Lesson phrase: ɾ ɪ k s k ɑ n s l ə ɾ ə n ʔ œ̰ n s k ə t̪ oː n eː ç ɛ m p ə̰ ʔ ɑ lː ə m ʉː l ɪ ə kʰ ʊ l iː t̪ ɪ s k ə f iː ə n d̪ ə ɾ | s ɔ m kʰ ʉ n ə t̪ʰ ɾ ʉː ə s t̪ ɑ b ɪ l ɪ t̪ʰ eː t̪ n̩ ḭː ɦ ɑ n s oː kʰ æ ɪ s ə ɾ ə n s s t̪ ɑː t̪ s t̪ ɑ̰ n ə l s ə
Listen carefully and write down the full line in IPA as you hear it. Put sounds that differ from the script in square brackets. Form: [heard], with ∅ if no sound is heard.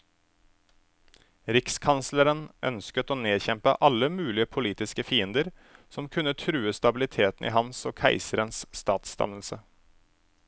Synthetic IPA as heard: ɾ ɪ k s [kʰ] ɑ n s l ə ɾ ə n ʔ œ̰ n s k ə t̪ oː n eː ç ɛ m p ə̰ ʔ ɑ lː ə m ʉː l ɪ ə [pʰ] ʊ l iː t̪ ɪ s k ə f iː ə n d̪ ə ɾ | s ɔ m kʰ ʉ n ə t̪ʰ ɾ ʉː ə s t̪ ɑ b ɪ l ɪ t̪ʰ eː t̪ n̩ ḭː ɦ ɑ n s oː kʰ æ ɪ s ə ɾ ə n s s t̪ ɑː t̪ s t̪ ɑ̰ n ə l s ə